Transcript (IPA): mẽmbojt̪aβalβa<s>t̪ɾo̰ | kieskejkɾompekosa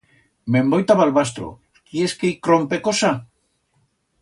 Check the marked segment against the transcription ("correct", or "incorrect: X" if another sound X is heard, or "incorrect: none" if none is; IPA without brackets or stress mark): correct